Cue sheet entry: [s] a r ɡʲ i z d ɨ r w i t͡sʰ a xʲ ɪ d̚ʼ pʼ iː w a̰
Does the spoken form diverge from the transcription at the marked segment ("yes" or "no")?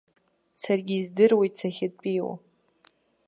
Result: no